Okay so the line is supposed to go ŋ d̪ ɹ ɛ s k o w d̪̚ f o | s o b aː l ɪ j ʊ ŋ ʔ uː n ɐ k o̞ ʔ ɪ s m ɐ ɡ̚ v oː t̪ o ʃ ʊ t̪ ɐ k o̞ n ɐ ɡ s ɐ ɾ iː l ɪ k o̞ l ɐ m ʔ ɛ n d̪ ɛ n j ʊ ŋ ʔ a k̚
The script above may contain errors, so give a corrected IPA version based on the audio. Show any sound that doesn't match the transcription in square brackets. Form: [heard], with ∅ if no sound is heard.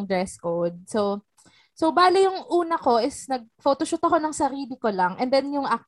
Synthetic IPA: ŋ d̪ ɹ ɛ s k o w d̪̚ [s] o | s o b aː l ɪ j ʊ ŋ ʔ uː n ɐ k o̞ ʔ ɪ s [n] ɐ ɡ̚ [f] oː t̪ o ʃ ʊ t̪ ɐ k o̞ n ɐ [ŋ] s ɐ ɾ iː l ɪ k o̞ l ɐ [ŋ] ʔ ɛ n d̪ ɛ n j ʊ ŋ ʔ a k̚